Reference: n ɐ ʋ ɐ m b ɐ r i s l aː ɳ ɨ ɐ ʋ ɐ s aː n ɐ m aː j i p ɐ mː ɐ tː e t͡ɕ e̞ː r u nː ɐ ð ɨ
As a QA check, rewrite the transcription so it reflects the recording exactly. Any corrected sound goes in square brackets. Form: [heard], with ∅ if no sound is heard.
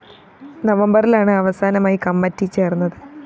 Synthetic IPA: n ɐ ʋ ɐ m b ɐ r i [∅] l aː ɳ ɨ ɐ ʋ ɐ s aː n ɐ m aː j i [k] ɐ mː ɐ tː [i] t͡ɕ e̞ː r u nː ɐ ð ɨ